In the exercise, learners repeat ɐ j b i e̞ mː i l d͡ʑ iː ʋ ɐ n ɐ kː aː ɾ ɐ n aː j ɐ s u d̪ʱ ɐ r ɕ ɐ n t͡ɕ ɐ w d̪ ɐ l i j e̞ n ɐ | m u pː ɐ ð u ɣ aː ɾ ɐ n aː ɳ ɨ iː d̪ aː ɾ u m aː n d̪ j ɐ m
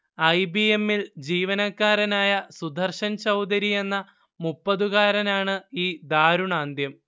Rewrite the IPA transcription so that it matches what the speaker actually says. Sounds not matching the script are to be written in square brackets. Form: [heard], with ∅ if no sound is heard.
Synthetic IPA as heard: ɐ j b i e̞ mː i l d͡ʑ iː ʋ ɐ n ɐ kː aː ɾ ɐ n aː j ɐ s u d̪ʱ ɐ r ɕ ɐ n t͡ɕ ɐ w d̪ ɐ [ɾ] i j e̞ [nː] ɐ | m u pː ɐ ð u ɣ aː ɾ ɐ n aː ɳ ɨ iː d̪ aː ɾ u [ɳ] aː n d̪ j ɐ m

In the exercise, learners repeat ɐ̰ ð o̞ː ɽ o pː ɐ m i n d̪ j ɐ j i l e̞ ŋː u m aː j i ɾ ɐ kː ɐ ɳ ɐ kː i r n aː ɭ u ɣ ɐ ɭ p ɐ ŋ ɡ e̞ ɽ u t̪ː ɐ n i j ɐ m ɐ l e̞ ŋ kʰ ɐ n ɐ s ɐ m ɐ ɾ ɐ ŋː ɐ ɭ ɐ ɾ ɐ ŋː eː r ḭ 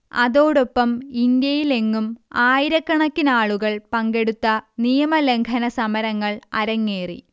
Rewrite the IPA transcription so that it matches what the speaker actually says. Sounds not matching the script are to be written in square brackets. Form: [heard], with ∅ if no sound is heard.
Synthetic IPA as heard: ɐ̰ ð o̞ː ɽ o pː ɐ m i n d̪ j ɐ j i l e̞ ŋː u m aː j i ɾ ɐ kː ɐ ɳ ɐ kː i [∅] n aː ɭ u ɣ ɐ ɭ p ɐ ŋ ɡ e̞ ɽ u t̪ː ɐ n i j ɐ m ɐ l e̞ ŋ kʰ ɐ n ɐ s ɐ m ɐ ɾ ɐ ŋː ɐ ɭ ɐ ɾ ɐ ŋː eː r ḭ

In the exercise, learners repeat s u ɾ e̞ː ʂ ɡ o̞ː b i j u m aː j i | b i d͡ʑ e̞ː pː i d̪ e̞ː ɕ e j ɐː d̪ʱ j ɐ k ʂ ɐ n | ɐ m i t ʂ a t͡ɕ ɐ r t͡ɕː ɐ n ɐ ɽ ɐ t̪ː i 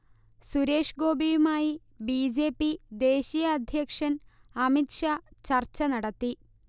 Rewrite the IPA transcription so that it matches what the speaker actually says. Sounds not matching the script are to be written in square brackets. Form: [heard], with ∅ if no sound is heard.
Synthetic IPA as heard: s u ɾ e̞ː ʂ ɡ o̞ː b i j u m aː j i | b i d͡ʑ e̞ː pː i d̪ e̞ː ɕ [i] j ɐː d̪ʱ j ɐ k ʂ ɐ n | ɐ m i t ʂ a t͡ɕ ɐ r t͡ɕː ɐ n ɐ ɽ ɐ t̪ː i

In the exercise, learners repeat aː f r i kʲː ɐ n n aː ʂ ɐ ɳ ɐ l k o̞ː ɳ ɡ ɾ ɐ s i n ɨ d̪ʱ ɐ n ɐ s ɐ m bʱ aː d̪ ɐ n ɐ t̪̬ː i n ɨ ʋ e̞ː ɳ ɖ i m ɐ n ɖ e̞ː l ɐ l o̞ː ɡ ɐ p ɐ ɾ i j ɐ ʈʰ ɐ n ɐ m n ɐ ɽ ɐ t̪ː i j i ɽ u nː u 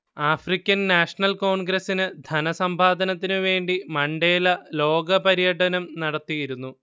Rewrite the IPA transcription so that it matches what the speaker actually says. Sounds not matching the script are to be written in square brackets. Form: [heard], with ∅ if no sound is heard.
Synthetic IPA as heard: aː f r i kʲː ɐ n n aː ʂ ɐ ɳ ɐ l k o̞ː ɳ ɡ ɾ ɐ s i n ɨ d̪ʱ ɐ n ɐ s ɐ m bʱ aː d̪ ɐ n ɐ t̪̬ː i n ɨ ʋ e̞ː ɳ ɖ i m ɐ [ɳ] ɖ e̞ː l ɐ l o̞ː ɡ ɐ p ɐ ɾ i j ɐ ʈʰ ɐ n ɐ m n ɐ ɽ ɐ t̪ː i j i [ɾ] u nː u

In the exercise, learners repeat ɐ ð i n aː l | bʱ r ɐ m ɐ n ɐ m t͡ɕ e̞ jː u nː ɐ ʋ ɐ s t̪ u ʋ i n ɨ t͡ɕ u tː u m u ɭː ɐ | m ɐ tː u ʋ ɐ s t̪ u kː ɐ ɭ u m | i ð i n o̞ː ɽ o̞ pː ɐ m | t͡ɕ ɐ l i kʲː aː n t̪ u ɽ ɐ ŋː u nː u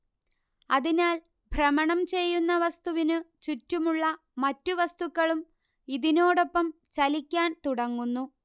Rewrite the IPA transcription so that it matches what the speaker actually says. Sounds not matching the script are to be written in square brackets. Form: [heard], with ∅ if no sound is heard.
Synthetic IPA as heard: ɐ ð i n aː l | bʱ r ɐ m ɐ [ɳ] ɐ m t͡ɕ e̞ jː u nː ɐ ʋ ɐ s t̪ u ʋ i n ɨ t͡ɕ u tː u m u ɭː ɐ | m ɐ tː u ʋ ɐ s t̪ u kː ɐ ɭ u m | i ð i n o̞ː ɽ o̞ pː ɐ m | t͡ɕ ɐ l i kʲː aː n t̪ u ɽ ɐ ŋː u nː u

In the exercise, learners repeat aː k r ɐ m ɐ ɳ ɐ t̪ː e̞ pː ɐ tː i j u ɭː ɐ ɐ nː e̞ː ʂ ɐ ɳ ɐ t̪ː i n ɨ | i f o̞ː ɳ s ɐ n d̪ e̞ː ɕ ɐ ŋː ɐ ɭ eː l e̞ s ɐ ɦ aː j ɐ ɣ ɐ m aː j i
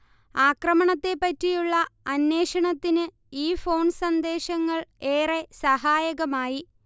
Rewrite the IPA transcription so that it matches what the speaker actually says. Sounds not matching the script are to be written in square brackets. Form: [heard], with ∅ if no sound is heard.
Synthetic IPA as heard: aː k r ɐ m ɐ ɳ ɐ t̪ː e̞ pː ɐ tː i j u ɭː ɐ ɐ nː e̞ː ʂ ɐ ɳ ɐ t̪ː i n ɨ | [iː] f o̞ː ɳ s ɐ n d̪ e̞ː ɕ ɐ ŋː ɐ ɭ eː [r] e̞ s ɐ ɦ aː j ɐ ɣ ɐ m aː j i

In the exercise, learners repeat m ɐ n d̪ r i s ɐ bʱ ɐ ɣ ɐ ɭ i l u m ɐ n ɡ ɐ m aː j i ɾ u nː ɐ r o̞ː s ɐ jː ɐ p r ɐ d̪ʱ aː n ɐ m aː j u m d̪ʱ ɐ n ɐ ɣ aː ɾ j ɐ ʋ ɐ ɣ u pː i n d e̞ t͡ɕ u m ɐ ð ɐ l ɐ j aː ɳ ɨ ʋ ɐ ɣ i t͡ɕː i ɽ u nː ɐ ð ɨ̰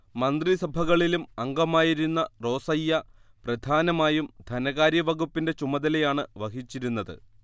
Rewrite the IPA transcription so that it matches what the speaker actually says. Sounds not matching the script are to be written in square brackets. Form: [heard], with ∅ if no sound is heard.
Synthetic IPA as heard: m ɐ n d̪ r i s ɐ bʱ ɐ ɣ ɐ ɭ i l u m ɐ [ŋ] ɡ ɐ m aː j i ɾ u nː ɐ r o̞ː s ɐ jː ɐ p r ɐ d̪ʱ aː n ɐ m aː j u m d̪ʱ ɐ n ɐ ɣ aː ɾ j ɐ ʋ ɐ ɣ u pː i n d e̞ t͡ɕ u m ɐ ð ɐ l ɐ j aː ɳ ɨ ʋ ɐ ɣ i t͡ɕː i [ɾ] u nː ɐ ð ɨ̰

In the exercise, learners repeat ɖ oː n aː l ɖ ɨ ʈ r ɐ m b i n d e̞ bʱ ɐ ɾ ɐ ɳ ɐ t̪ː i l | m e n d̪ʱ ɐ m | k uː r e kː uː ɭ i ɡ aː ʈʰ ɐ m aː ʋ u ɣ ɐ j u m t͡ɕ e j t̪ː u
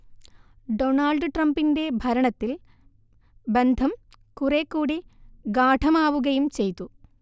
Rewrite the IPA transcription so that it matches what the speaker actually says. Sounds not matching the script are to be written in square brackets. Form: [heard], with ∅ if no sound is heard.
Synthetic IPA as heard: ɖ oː n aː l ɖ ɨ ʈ r ɐ m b i n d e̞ bʱ ɐ ɾ ɐ ɳ ɐ t̪ː i l | [b] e n d̪ʱ ɐ m | k [u] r e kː uː [ɽ] i ɡ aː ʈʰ ɐ m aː ʋ u ɣ ɐ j u m t͡ɕ e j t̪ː u

